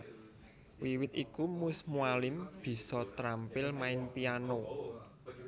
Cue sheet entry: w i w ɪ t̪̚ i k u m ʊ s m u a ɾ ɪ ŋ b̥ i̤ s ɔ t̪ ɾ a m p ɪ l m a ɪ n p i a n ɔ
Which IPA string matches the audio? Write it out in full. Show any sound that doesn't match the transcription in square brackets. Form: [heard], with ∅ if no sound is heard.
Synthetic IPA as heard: w i w ɪ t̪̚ i k u m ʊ s m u a [l] ɪ [m] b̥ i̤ s ɔ t̪ ɾ a m p ɪ l m a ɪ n p i a n [o]